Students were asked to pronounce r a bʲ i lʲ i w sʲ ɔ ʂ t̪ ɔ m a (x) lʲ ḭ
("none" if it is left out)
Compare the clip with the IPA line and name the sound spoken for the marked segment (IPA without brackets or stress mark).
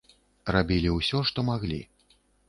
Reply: ɣ